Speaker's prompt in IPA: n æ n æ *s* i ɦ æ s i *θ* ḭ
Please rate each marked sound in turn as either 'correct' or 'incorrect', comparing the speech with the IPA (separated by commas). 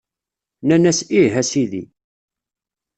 correct, incorrect